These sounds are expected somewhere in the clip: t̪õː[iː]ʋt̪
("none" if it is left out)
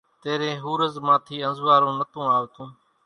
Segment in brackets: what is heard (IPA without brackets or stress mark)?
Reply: aː